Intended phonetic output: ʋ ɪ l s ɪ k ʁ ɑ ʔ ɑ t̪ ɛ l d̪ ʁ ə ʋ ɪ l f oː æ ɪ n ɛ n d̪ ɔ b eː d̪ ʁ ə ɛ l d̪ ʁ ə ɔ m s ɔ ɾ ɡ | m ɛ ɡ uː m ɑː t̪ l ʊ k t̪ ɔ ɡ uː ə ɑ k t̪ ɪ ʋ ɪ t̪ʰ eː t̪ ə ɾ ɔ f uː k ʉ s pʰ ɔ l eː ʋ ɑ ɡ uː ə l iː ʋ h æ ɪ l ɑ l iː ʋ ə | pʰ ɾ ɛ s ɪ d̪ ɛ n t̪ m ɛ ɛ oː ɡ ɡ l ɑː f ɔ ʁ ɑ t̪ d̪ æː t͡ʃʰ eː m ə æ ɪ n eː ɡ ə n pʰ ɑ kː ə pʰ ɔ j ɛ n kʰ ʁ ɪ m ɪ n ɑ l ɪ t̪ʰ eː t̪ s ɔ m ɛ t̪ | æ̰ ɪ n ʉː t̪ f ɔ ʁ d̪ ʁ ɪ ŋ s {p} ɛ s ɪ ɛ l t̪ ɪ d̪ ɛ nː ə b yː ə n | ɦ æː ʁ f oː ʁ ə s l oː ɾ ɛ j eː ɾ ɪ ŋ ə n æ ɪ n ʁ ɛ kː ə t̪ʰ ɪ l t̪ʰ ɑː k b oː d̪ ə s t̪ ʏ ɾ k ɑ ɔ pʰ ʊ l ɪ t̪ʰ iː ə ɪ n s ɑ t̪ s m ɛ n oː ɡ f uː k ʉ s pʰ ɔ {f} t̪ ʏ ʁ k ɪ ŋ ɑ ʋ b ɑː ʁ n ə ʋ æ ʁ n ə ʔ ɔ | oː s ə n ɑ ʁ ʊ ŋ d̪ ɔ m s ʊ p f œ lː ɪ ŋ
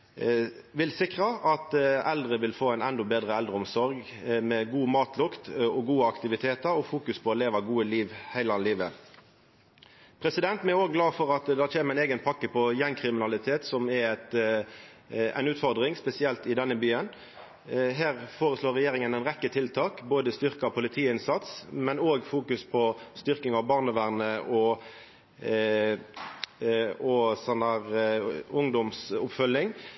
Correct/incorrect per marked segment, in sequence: correct, incorrect: s

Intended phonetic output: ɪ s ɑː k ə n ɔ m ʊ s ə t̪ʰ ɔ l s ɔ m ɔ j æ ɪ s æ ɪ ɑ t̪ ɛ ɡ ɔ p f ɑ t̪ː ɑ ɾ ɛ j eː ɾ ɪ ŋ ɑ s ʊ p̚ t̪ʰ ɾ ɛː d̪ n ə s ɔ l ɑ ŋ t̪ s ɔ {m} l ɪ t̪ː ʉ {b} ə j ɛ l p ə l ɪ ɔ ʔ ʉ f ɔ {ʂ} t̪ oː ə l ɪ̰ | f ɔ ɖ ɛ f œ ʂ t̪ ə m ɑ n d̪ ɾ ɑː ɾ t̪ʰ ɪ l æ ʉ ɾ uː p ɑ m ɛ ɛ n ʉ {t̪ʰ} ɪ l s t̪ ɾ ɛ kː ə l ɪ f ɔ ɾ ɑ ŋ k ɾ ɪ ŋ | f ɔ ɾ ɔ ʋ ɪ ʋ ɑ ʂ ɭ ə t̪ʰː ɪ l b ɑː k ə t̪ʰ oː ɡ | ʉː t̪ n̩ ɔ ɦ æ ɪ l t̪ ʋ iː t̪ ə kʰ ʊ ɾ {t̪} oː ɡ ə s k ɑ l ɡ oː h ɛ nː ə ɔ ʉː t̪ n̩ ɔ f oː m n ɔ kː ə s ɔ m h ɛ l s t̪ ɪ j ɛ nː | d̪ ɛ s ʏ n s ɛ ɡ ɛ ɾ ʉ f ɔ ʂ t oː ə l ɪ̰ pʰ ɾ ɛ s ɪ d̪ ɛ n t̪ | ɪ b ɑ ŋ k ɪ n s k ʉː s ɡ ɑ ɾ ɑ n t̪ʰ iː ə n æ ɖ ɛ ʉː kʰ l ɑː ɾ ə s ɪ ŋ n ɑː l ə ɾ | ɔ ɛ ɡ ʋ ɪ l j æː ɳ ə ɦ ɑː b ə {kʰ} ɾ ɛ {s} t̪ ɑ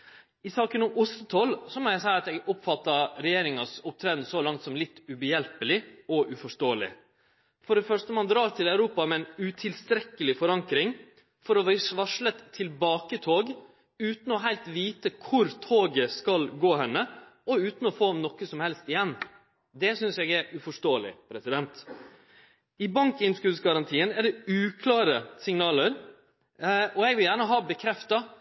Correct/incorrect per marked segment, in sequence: correct, correct, correct, correct, incorrect: t̪ʰ, correct, incorrect: f

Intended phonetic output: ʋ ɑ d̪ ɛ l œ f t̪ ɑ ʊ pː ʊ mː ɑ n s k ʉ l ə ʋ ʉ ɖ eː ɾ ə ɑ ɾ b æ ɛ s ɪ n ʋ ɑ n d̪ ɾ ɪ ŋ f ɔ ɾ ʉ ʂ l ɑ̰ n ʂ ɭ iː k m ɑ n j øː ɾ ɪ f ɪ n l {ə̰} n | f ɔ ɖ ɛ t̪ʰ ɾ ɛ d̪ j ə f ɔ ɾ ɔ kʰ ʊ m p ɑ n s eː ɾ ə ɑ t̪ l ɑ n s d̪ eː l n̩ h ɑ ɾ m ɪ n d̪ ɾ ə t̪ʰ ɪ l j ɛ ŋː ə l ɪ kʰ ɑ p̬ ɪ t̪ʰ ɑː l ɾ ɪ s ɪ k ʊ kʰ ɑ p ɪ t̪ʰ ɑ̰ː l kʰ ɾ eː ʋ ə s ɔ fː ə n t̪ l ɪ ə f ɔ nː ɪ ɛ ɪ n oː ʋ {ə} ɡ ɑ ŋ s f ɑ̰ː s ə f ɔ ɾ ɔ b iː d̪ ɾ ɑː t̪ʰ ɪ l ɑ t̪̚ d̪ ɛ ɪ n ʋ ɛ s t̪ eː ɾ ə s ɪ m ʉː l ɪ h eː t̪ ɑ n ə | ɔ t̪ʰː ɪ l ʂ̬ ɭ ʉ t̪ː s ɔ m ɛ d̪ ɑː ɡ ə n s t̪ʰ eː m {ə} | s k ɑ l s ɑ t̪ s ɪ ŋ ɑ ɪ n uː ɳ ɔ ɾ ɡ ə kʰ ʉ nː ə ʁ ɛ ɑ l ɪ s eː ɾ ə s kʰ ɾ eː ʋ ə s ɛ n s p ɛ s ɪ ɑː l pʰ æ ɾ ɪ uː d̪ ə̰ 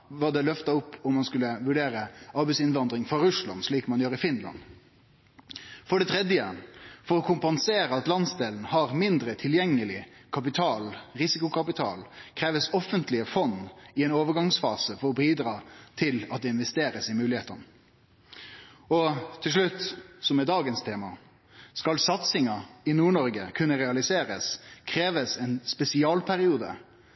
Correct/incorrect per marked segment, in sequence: incorrect: ɑ̰, correct, incorrect: ɑ

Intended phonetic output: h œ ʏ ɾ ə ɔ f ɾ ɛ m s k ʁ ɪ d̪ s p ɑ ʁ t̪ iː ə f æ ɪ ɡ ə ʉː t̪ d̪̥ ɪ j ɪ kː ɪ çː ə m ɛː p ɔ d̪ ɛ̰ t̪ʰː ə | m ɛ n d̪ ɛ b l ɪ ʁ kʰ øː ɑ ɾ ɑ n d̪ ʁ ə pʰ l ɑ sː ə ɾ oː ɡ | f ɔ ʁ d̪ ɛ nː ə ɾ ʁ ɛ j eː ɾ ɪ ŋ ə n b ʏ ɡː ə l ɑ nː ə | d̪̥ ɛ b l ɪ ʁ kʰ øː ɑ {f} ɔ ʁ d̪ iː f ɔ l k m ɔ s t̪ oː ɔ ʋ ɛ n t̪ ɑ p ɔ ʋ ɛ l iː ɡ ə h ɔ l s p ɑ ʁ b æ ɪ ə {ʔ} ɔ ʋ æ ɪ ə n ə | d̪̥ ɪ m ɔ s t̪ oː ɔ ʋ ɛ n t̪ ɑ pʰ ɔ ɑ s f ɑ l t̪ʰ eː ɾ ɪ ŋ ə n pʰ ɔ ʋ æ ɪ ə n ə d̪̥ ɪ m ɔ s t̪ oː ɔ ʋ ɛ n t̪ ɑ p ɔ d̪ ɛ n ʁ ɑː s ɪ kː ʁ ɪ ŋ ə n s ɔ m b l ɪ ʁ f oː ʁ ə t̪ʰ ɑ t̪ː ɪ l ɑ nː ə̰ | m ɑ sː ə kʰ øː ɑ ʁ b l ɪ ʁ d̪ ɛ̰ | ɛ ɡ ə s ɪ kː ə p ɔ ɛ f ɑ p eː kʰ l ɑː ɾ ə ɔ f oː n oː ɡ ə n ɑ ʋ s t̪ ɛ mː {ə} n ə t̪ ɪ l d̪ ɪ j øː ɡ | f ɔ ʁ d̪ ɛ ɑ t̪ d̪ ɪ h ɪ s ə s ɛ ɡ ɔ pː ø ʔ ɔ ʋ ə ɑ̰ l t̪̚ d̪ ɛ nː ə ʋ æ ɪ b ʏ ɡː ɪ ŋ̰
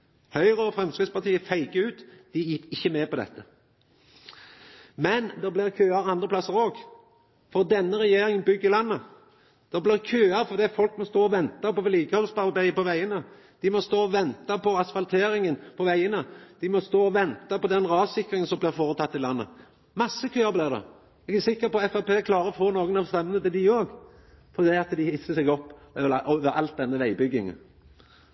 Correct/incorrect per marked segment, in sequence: correct, incorrect: p, correct

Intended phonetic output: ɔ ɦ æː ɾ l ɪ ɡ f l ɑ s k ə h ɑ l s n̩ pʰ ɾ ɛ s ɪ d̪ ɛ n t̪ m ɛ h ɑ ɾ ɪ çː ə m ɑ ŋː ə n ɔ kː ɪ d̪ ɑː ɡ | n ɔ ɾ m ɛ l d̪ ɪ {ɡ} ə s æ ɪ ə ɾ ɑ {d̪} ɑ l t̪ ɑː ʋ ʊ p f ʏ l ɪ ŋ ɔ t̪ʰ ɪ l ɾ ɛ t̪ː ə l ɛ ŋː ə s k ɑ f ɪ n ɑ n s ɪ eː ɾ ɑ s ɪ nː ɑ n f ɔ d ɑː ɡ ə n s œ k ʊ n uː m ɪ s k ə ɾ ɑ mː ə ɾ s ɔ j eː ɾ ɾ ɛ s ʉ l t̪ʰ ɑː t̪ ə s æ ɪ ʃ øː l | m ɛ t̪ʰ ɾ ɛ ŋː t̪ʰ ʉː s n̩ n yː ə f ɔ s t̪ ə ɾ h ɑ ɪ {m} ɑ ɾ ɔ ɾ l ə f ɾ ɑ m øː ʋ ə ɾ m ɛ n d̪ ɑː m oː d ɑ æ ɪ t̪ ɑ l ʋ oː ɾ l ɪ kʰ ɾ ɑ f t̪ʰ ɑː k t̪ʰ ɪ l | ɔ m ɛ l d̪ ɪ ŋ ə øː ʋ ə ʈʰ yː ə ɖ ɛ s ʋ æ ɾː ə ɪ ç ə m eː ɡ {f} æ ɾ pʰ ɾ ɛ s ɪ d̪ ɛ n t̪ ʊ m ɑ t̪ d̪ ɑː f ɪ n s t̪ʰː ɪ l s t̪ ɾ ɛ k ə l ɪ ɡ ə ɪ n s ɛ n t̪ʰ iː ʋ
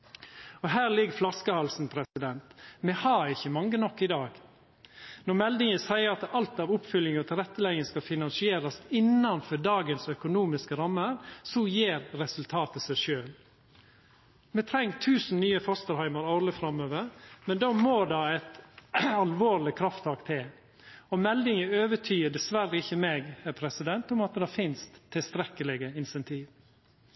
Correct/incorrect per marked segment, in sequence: incorrect: ŋ, incorrect: t̪, correct, incorrect: h

